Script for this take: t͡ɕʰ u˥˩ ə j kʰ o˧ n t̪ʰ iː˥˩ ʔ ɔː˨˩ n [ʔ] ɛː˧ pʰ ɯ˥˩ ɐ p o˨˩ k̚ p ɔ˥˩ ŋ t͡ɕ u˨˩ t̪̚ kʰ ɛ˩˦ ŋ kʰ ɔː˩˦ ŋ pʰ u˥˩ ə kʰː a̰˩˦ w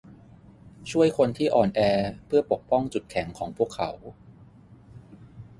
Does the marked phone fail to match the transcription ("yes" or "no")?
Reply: no